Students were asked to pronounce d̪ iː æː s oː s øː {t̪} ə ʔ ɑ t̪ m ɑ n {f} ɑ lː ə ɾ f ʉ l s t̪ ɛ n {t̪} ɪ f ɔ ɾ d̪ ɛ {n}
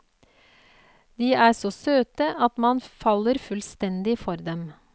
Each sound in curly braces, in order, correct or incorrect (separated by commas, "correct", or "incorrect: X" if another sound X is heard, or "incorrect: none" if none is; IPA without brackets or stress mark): correct, correct, incorrect: d̪, incorrect: m